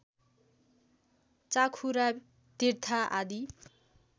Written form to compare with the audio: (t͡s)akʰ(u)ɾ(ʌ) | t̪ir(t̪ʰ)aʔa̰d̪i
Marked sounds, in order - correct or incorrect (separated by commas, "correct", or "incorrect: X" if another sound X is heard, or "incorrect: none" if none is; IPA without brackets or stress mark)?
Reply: correct, correct, incorrect: a, correct